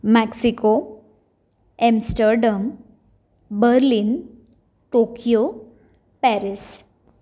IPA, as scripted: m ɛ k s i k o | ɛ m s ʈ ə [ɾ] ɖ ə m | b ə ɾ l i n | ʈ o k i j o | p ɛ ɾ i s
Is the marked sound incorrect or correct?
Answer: correct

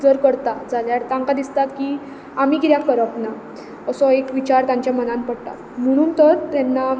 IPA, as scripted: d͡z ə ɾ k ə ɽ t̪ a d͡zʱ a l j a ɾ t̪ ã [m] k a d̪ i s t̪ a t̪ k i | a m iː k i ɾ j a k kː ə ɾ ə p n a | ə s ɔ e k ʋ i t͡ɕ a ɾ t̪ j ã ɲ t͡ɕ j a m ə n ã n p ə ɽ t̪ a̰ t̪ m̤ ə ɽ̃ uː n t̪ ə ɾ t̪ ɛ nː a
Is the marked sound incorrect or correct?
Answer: incorrect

